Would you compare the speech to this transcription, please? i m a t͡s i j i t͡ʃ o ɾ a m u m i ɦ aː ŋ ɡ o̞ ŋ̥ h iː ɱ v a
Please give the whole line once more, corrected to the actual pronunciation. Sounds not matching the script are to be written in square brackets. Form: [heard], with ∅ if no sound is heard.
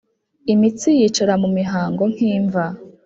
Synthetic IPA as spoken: i m [i] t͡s i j i t͡ʃ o ɾ a m u m i ɦ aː ŋ ɡ o̞ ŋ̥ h iː ɱ v a